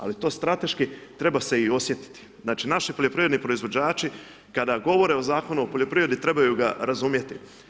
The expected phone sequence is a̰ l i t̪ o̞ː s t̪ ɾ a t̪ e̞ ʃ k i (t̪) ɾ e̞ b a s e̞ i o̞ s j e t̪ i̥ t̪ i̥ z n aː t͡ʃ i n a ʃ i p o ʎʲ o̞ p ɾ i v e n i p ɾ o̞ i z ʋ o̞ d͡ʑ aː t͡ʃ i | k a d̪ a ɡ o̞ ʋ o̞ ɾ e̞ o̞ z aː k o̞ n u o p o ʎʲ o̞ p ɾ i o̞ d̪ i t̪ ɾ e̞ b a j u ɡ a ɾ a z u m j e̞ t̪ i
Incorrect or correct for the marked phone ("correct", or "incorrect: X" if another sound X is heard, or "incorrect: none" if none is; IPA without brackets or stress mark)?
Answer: correct